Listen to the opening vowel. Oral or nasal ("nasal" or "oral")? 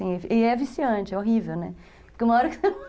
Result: nasal